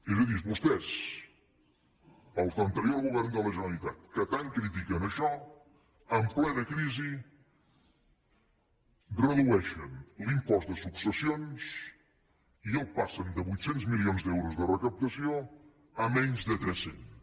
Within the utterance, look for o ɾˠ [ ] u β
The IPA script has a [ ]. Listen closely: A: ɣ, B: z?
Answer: A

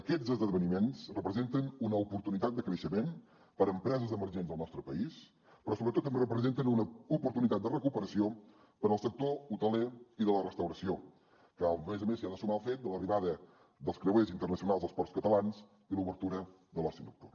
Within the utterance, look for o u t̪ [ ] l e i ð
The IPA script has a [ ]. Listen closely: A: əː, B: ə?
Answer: B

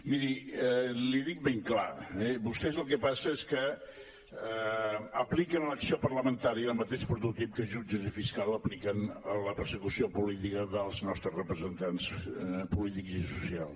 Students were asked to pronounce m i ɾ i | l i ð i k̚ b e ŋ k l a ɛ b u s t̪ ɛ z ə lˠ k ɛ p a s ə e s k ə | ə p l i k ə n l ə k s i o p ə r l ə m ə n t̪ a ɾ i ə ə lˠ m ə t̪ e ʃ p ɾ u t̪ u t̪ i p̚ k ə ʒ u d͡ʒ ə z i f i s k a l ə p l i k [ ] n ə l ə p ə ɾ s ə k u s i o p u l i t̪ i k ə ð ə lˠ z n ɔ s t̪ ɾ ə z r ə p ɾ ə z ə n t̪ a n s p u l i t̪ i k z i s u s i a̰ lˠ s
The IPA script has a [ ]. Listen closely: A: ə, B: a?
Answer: A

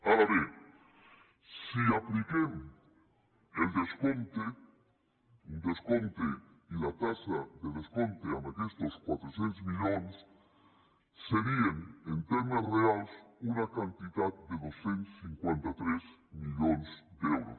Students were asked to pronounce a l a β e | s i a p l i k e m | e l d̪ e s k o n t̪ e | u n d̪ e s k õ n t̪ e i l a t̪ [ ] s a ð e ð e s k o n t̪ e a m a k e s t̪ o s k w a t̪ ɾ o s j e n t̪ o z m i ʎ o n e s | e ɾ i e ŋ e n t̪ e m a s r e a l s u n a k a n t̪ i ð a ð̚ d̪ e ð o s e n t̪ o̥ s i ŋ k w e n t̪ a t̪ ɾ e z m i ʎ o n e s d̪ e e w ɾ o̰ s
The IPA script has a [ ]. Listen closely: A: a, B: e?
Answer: A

